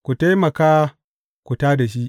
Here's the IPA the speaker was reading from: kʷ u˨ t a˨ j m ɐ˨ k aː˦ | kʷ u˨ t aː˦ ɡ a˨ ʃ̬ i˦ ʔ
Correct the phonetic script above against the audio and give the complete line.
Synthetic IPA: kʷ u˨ t a˦ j m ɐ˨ k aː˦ | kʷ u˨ t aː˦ d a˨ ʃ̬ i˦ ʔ

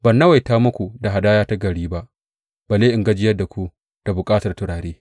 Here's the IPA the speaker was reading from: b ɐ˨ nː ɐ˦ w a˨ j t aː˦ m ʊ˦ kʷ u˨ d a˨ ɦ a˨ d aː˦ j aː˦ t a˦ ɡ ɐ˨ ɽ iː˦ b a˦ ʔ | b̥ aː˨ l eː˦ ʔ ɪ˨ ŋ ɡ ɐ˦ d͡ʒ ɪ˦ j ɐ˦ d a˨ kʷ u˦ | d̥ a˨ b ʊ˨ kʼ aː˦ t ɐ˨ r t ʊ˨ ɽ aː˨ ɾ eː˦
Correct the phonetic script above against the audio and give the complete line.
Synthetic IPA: b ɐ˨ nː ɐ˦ w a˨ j t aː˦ m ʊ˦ kʷ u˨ d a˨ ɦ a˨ d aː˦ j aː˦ t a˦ ɡ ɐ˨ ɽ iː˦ b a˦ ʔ | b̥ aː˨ l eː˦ ʔ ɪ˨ ŋ ɡ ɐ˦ d͡ʒ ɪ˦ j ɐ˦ d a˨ kʷ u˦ | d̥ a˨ b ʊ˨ kʼ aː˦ t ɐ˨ r t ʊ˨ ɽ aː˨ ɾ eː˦

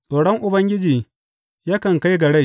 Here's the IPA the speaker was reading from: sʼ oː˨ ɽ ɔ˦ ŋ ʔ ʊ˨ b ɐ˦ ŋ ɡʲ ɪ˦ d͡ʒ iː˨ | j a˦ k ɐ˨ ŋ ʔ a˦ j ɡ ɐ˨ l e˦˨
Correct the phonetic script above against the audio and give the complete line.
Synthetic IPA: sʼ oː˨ ɽ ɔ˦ ŋ ʔ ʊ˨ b ɐ˦ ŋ ɡʲ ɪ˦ d͡ʒ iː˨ | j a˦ k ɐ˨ ŋ k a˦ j ɡ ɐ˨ ɽ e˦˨

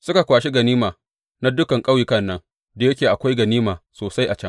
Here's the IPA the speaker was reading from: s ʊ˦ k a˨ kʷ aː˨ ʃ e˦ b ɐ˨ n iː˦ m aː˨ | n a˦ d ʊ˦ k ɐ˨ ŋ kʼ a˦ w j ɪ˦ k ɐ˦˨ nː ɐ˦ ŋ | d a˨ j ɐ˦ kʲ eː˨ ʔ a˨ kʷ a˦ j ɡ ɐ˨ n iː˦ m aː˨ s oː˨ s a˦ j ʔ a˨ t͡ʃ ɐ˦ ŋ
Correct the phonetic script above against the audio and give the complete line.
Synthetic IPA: s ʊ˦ k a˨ kʷ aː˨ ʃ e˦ ɡ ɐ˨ n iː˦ m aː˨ | n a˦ d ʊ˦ k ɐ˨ ŋ kʼ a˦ w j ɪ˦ k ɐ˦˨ nː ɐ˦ ŋ | d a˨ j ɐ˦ kʲ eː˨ ʔ a˨ kʷ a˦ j ɡ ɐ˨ n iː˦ m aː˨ s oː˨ s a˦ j ʔ a˨ t͡ʃ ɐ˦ ŋ

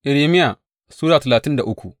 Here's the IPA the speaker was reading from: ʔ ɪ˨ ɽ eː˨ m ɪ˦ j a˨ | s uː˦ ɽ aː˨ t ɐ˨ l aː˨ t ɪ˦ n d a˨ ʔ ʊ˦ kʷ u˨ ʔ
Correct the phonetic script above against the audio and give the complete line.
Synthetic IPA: ʔ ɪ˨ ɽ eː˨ m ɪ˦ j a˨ | s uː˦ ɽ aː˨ t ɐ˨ l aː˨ t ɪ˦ n d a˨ ʔ ʊ˦ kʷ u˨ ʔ

